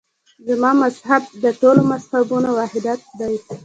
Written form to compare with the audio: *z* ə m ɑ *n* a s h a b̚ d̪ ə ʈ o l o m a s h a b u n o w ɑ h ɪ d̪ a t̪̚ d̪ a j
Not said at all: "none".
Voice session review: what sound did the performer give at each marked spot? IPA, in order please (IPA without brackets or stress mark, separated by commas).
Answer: z, m